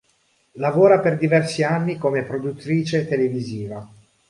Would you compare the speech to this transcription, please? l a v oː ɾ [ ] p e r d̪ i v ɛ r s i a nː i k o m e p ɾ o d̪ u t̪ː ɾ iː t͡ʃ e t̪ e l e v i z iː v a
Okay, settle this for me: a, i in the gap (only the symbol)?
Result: a